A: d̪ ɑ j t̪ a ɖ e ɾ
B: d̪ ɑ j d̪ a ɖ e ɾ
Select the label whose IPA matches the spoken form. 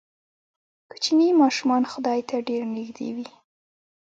A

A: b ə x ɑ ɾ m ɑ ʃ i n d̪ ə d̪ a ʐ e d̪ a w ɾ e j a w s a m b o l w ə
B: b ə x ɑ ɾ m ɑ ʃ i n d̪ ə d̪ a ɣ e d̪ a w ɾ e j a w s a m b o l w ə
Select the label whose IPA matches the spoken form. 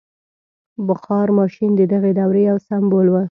B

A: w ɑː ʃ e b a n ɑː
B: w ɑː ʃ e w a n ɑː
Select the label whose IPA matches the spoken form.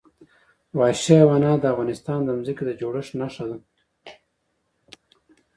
B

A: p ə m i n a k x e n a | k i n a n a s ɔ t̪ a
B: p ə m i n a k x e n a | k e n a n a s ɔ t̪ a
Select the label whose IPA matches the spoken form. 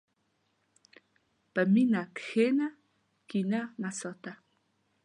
A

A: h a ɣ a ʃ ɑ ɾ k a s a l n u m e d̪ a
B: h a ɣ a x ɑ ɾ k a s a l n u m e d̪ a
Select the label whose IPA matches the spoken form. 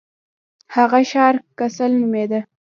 A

